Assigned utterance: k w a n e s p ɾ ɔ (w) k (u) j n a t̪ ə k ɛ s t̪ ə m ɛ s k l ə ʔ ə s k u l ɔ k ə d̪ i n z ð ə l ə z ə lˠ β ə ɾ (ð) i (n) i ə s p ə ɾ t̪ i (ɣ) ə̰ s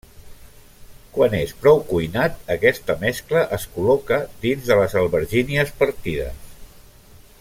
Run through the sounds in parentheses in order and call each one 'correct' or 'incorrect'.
correct, correct, incorrect, correct, incorrect

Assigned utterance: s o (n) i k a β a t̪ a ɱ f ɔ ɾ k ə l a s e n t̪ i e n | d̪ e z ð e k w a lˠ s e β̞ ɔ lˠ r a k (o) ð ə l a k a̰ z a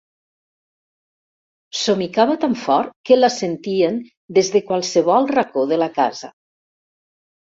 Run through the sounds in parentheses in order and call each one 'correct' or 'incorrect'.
incorrect, correct

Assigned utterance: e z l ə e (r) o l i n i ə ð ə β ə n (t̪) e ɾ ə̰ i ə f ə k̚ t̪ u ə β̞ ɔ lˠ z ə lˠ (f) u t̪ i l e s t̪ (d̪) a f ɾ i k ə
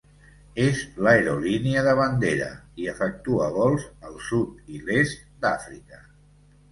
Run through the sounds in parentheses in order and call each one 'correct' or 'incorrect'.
incorrect, incorrect, incorrect, correct

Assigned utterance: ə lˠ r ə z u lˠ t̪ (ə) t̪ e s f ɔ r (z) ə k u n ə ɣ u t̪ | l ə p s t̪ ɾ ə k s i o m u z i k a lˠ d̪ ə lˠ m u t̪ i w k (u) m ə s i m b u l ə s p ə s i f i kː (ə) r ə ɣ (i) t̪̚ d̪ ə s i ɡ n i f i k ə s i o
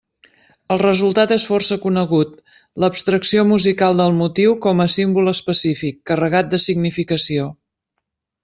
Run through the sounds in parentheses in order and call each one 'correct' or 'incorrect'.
incorrect, incorrect, incorrect, correct, incorrect

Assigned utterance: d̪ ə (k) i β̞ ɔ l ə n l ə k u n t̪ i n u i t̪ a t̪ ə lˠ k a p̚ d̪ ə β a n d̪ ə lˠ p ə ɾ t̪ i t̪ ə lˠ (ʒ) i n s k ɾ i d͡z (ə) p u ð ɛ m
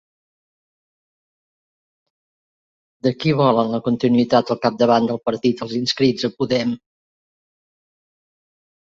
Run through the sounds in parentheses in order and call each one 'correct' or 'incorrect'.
correct, incorrect, correct

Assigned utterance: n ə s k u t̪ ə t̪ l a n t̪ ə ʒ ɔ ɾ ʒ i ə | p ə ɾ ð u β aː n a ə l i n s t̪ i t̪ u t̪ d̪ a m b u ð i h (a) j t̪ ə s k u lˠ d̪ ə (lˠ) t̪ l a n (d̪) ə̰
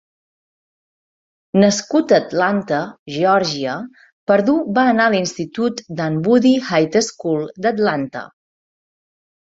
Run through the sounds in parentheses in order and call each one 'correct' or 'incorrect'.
correct, incorrect, incorrect

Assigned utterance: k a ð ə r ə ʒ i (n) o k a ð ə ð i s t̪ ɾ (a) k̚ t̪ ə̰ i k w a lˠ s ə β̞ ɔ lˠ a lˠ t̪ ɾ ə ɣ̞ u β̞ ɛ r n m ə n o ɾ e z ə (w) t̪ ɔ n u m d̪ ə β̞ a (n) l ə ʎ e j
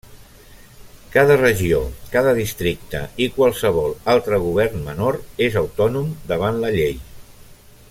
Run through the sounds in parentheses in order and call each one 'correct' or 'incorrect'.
incorrect, incorrect, correct, correct

